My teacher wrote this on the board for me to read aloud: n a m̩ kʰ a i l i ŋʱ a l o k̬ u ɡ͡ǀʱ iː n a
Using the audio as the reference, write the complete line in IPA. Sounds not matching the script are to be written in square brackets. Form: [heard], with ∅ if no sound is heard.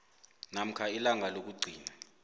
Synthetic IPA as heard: n a m̩ kʰ a i l [a] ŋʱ a l o k̬ u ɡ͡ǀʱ iː n a